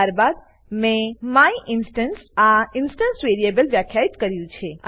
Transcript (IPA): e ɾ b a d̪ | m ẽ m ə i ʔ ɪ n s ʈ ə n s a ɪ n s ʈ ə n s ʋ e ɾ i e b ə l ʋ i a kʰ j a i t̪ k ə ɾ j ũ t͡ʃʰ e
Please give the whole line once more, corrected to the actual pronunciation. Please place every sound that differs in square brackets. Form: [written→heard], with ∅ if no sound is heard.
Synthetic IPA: [e→a] ɾ b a d̪ | m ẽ m [ə→a] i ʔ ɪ n s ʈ ə n s a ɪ n s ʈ ə n s ʋ e ɾ i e b ə l ʋ [i→j] a kʰ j a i t̪ k ə ɾ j ũ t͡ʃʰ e